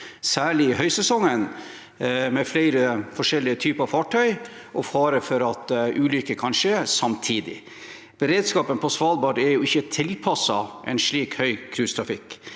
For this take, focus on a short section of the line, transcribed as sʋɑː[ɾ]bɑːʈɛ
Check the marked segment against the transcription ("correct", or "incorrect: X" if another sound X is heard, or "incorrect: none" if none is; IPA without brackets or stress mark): incorrect: l